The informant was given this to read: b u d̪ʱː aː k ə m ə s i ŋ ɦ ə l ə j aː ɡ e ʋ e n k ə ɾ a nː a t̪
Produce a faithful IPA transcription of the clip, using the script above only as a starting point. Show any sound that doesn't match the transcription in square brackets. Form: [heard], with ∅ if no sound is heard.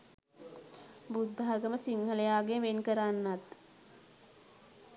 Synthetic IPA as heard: b u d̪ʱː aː [ɡ] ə m ə s i ŋ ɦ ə l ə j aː ɡ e ʋ e n k ə ɾ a nː a t̪